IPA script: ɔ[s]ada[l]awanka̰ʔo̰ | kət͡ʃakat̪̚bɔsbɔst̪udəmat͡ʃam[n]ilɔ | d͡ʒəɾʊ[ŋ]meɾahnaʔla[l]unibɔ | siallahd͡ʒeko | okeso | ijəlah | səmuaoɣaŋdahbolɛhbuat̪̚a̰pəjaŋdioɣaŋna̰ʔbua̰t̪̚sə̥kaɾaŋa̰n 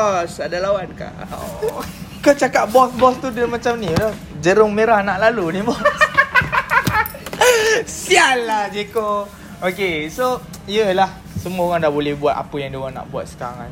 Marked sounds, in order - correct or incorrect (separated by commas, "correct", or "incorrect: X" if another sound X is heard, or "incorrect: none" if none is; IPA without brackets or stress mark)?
correct, correct, correct, correct, correct